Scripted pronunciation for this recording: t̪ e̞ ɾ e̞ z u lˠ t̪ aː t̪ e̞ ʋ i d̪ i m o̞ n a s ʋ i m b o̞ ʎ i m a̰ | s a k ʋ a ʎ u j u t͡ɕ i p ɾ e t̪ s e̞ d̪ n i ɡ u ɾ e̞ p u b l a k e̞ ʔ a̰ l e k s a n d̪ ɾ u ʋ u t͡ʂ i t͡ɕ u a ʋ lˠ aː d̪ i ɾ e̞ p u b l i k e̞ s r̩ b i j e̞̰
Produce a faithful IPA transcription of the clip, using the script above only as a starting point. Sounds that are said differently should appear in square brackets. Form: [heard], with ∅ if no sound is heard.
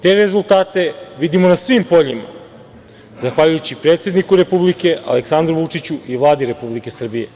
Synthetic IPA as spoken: t̪ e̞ ɾ e̞ z u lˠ t̪ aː t̪ e̞ ʋ i d̪ i m o̞ n a s ʋ i m [p] o̞ ʎ i m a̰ | [z] a [x] ʋ a ʎ u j u t͡ɕ i p ɾ e t̪ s e̞ d̪ n i [k] u ɾ e̞ p u b l [i] k e̞ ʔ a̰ l e k s a n d̪ ɾ u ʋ u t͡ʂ i t͡ɕ u [i] ʋ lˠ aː d̪ i ɾ e̞ p u b l i k e̞ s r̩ b i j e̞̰